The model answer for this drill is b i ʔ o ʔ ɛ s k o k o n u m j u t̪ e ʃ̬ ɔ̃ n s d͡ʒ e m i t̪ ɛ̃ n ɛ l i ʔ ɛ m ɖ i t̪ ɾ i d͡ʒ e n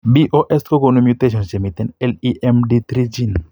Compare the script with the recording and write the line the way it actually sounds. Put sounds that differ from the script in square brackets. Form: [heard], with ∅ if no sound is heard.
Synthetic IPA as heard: b i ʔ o ʔ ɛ s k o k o n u m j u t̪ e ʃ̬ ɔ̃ n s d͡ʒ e m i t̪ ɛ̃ n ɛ l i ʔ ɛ m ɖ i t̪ ɾ i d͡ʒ [i] n

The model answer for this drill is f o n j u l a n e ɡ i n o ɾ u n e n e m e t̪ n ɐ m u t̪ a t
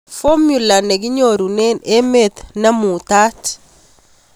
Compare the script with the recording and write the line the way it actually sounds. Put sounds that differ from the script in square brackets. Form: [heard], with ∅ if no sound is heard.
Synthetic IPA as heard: f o [m] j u l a n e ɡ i [ɲ] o ɾ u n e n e m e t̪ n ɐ m u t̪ a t

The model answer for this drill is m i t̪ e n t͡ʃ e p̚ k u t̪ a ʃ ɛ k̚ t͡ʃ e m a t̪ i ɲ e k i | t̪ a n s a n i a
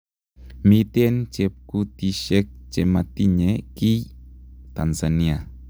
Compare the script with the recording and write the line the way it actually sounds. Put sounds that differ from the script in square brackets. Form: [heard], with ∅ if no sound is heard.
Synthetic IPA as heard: m i t̪ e n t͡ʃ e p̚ k u t̪ [i] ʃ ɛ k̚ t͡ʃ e m a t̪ i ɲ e k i | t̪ a n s a n i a

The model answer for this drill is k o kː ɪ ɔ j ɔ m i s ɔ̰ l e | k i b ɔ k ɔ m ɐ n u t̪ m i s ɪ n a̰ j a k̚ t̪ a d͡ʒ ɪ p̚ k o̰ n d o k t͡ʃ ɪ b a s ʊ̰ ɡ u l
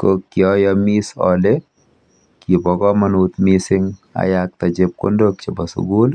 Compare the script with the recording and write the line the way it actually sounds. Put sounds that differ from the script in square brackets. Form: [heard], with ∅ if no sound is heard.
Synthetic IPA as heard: k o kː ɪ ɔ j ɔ m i s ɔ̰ l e | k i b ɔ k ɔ m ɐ n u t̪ m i s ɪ [ŋ] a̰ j a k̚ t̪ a d͡ʒ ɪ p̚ k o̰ n d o k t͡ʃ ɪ b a s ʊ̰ ɡ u l

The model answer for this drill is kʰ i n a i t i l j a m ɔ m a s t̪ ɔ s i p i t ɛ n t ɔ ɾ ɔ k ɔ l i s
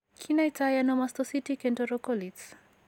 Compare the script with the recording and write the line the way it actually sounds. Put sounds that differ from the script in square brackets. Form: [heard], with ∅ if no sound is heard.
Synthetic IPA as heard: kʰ i n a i t [a] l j a [n] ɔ m a s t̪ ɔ s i [t] i [k] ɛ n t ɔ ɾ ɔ k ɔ l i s

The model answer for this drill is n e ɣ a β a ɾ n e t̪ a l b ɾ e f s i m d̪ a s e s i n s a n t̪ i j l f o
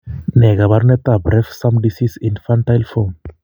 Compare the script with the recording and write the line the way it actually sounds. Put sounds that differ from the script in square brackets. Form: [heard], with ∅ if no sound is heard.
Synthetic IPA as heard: n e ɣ a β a ɾ n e t̪ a [∅] b ɾ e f s [a] m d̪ [i] s [i] s i n [f] a n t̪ [a] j l f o

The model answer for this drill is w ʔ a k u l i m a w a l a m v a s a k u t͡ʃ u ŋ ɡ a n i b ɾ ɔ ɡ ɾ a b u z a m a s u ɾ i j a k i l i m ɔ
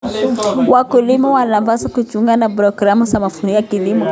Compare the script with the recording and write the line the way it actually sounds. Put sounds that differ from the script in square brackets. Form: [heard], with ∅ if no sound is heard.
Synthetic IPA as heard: w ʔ a k u l i m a w a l a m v a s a k u t͡ʃ u ŋ ɡ a n [a] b ɾ ɔ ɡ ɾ a [m] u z a m a [f] u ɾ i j a k i l i m ɔ

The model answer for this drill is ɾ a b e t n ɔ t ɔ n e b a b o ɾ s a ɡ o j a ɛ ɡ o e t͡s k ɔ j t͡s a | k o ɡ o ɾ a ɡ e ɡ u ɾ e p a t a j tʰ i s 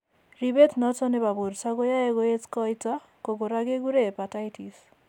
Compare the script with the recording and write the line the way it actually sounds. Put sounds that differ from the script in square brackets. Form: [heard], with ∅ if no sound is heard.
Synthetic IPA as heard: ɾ [i] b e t n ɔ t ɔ n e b a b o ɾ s a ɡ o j a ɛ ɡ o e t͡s k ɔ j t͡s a | k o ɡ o ɾ a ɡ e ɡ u ɾ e p a t a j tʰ i s

